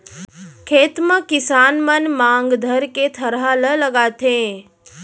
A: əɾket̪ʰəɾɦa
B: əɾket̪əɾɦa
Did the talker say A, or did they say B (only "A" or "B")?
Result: A